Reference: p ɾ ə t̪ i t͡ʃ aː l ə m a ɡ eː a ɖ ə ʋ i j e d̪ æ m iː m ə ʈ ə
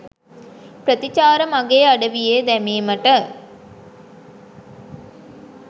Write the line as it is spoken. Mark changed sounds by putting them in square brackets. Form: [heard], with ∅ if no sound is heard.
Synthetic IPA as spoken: p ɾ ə t̪ i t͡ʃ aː [ɾ] ə m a ɡ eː a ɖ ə ʋ i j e d̪ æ m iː m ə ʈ ə

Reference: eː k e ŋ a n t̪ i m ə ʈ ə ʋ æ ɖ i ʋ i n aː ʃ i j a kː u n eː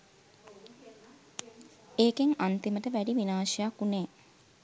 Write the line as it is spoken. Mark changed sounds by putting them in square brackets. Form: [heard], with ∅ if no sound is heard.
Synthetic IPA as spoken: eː k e ŋ a n t̪ i m ə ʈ ə ʋ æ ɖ i ʋ i n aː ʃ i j a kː u n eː

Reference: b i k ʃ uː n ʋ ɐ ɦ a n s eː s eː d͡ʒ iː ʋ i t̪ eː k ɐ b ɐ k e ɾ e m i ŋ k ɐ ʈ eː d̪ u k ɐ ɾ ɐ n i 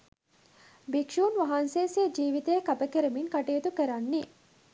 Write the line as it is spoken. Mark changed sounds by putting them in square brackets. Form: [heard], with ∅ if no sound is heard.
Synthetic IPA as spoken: b i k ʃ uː n ʋ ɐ ɦ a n s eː s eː d͡ʒ iː ʋ i t̪ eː k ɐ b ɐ k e ɾ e m i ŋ k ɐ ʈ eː [t̪] u k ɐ ɾ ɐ [nː] i

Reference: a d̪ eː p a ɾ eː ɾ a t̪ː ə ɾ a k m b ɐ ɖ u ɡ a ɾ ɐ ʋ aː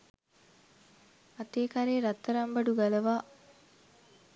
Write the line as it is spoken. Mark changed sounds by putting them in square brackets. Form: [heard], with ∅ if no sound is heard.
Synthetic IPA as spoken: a [t̪] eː [k] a ɾ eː ɾ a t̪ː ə ɾ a [∅] m b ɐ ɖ u ɡ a [l] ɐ ʋ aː

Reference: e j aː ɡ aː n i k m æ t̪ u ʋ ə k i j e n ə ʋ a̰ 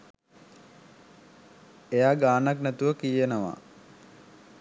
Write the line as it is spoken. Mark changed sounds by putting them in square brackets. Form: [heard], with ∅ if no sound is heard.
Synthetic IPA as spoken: e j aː ɡ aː n [a] k [n] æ t̪ u ʋ ə k i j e n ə ʋ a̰

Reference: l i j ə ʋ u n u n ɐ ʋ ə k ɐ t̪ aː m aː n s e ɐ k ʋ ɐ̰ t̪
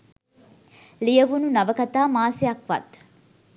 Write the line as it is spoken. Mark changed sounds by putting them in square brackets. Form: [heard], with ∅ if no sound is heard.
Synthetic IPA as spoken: l i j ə ʋ u n u n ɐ ʋ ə k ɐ t̪ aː m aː [∅] s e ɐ k ʋ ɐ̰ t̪

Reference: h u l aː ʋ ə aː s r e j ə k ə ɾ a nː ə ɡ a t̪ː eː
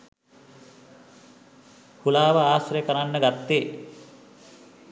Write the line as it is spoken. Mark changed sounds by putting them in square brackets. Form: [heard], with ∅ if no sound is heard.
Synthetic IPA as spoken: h u l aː ʋ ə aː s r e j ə k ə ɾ a nː ə ɡ a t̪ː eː

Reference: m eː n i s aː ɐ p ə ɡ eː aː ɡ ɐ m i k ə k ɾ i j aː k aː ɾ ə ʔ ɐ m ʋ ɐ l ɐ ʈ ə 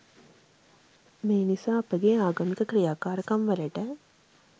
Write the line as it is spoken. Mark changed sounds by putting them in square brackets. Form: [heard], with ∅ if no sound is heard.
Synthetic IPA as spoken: m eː n i s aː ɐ p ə ɡ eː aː ɡ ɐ m i k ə k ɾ i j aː k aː ɾ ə [k] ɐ m ʋ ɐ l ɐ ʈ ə

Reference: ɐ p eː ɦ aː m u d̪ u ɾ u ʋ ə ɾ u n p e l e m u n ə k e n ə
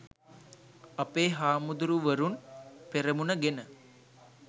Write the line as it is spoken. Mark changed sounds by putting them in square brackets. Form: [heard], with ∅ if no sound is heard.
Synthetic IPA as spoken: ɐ p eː ɦ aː m u d̪ u ɾ u ʋ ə ɾ u n p e [ɾ] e m u n ə [ɡ] e n ə

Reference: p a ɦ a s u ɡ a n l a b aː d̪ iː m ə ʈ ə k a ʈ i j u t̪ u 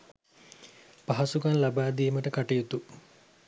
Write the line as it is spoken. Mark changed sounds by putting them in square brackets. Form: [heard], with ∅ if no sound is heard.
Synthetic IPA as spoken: p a ɦ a s u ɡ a n l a b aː d̪ iː m ə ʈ ə k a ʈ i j u t̪ u

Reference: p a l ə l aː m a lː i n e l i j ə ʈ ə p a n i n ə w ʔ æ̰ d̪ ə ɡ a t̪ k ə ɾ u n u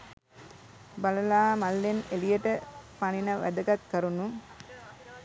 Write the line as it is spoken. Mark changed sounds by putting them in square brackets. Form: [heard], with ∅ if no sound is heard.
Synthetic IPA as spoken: [b] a l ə l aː m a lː [e] n e l i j ə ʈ ə p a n i n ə [ʋ] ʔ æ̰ d̪ ə ɡ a t̪ k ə ɾ u n u

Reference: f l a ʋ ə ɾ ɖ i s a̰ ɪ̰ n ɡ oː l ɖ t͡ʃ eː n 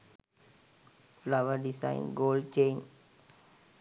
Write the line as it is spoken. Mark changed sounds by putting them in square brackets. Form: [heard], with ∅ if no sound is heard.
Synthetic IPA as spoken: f l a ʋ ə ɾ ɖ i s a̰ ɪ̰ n ɡ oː l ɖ t͡ʃ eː n

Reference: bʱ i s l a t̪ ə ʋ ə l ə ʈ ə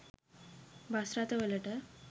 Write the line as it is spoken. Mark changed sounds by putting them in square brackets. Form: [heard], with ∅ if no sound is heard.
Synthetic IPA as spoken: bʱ [a] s [ɾ] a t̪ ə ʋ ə l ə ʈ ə

